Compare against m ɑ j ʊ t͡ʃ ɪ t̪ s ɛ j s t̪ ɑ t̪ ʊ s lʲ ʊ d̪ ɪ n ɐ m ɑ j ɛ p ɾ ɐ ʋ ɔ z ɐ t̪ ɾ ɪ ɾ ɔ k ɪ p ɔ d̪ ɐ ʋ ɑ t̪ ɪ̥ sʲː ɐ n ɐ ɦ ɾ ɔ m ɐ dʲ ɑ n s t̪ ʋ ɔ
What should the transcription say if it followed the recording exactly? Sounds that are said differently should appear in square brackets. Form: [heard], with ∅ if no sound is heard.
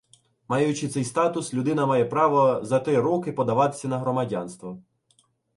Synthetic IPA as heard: m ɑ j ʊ t͡ʃ ɪ t̪ s ɛ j s t̪ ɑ t̪ ʊ s lʲ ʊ d̪ ɪ n ɐ m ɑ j ɛ p ɾ [ɑ] ʋ ɔ z ɐ t̪ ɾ ɪ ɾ ɔ k ɪ p ɔ d̪ ɐ ʋ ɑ t̪ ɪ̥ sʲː ɐ n ɐ ɦ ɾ ɔ m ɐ dʲ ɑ n s t̪ ʋ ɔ